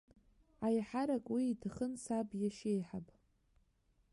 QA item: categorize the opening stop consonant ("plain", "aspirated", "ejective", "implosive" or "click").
ejective